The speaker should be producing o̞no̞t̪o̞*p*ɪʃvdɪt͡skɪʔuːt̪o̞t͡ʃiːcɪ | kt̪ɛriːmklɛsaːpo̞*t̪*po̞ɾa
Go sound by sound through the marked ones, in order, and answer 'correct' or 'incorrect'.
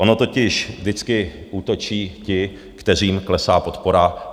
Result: incorrect: c, correct

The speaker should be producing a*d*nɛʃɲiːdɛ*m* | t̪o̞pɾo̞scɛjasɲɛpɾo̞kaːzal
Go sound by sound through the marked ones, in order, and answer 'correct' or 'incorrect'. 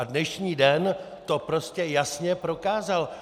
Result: correct, incorrect: n

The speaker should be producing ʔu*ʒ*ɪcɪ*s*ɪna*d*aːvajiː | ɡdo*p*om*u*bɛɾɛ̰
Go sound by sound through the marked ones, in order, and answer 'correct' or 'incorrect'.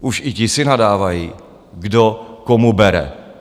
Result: incorrect: ʃ, correct, correct, incorrect: k, correct

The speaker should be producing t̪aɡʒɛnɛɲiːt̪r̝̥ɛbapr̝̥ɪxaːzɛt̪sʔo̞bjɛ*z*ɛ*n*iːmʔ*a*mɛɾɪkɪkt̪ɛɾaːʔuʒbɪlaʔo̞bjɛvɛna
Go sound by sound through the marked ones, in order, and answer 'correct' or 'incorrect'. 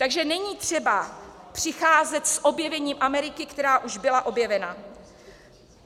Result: incorrect: v, incorrect: ɲ, correct

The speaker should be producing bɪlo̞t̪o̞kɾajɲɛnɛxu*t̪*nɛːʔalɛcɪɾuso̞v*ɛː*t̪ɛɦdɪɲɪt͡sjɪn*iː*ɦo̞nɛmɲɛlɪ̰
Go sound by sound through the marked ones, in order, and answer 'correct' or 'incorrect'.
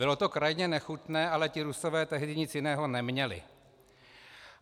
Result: correct, correct, incorrect: ɛː

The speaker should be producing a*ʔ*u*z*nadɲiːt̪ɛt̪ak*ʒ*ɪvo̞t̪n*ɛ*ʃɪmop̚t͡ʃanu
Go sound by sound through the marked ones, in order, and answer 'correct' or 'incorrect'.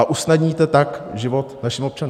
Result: correct, incorrect: s, correct, incorrect: a

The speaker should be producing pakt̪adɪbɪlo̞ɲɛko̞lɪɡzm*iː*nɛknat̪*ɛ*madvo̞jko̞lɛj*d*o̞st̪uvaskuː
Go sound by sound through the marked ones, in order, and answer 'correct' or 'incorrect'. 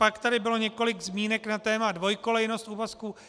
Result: correct, incorrect: ɛː, incorrect: n

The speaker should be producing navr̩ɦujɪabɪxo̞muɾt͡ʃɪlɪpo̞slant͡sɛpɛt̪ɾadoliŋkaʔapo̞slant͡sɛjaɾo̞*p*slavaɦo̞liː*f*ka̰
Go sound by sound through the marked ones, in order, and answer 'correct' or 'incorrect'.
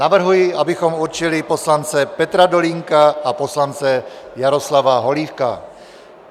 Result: incorrect: none, correct

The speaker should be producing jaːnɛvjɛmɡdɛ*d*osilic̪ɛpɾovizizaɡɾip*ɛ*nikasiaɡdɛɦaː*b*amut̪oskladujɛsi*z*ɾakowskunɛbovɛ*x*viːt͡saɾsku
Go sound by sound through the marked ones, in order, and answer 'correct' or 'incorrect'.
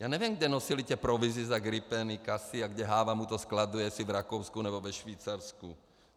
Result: incorrect: n, correct, incorrect: v, incorrect: v, incorrect: ʃ

